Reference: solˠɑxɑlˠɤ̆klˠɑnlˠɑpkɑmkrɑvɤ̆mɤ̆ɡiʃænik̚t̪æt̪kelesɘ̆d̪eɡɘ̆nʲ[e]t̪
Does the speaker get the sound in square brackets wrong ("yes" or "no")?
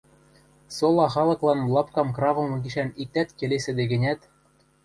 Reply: yes